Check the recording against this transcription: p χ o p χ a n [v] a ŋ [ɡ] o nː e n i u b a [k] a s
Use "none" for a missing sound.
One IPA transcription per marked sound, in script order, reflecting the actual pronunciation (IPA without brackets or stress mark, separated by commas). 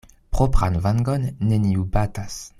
v, ɡ, t